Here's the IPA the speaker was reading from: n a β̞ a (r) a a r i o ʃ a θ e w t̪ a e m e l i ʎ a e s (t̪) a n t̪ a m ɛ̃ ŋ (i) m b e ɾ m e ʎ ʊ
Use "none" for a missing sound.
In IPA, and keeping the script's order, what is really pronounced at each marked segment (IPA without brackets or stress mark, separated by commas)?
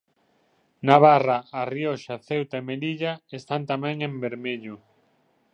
r, t̪, e